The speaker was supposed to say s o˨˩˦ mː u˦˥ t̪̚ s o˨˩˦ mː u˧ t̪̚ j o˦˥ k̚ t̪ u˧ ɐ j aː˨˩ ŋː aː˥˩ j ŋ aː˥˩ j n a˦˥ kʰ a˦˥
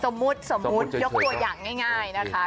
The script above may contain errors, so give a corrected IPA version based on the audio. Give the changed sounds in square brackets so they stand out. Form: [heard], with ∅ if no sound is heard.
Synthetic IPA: s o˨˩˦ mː u˦˥ t̪̚ s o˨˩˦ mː [u˦˥] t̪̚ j o˦˥ k̚ t̪ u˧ ɐ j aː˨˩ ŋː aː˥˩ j ŋ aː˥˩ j n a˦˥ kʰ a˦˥